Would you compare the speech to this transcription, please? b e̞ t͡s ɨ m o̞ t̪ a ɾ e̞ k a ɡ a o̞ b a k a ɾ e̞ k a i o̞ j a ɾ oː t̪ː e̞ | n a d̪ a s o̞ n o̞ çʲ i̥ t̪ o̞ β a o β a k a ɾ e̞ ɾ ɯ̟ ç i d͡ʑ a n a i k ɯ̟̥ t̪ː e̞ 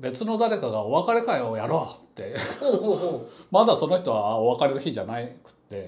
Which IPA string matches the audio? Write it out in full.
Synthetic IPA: b e̞ t͡s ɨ n o̞ d̪ a ɾ e̞ k a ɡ a o̞ β a k a ɾ e̞ k a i o̞ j a ɾ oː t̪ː e̞ | m a d̪ a s o̞ n o̞ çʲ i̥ t̪ o̞ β a o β a k a ɾ e̞ ɾ ɯ̟ ç i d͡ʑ a n a i k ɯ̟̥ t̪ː e̞